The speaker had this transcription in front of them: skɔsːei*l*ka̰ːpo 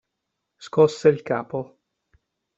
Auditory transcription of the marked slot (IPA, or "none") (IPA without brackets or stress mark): l